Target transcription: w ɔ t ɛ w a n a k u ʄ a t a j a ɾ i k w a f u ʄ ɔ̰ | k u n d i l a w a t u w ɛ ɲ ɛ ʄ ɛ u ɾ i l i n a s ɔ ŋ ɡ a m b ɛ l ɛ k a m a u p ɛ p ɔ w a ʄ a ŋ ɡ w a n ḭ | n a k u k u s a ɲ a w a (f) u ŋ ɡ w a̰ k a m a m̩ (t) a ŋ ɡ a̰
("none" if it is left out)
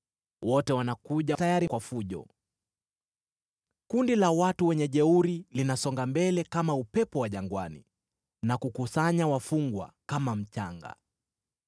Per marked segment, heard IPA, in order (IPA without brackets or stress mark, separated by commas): f, t͡ʃ